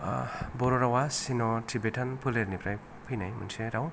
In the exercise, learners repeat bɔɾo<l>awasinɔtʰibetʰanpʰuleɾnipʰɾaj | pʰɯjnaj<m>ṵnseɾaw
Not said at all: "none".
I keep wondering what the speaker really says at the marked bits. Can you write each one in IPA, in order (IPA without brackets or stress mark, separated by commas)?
ɾ, m